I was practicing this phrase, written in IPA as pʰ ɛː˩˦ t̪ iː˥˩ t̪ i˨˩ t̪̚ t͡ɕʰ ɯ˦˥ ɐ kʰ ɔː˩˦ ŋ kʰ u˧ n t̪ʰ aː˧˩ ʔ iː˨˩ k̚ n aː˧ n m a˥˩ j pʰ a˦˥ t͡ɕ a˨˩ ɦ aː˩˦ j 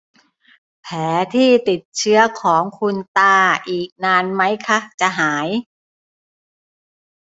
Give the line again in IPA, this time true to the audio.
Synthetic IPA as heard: pʰ ɛː˩˦ t̪ʰ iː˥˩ t̪ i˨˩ t̪̚ t͡ɕʰ ɯ˦˥ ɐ kʰ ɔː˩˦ ŋ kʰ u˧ n t̪ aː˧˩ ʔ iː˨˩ k̚ n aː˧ n m a˦˥ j kʰ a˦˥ t͡ɕ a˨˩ ɦ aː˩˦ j